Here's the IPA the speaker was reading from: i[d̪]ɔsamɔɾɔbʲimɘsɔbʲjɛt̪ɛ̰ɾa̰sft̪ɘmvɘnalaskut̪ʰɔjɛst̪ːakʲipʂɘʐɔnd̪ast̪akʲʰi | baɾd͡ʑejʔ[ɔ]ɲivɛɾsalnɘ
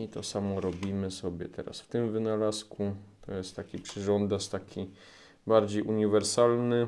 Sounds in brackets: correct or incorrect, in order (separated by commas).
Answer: incorrect, incorrect